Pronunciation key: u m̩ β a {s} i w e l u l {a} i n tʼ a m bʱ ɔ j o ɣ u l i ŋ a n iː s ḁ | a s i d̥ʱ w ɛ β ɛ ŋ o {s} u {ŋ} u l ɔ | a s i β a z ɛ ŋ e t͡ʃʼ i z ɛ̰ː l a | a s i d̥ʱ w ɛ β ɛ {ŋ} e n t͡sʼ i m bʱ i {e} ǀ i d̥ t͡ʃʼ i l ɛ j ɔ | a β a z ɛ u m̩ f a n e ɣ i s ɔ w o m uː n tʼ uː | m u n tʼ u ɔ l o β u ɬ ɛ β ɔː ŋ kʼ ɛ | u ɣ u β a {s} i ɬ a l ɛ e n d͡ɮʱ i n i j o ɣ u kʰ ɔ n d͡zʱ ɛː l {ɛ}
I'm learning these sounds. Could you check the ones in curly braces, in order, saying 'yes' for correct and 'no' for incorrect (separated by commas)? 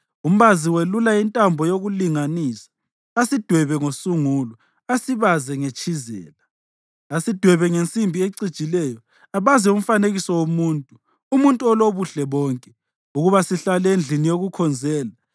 no, yes, yes, yes, yes, yes, yes, no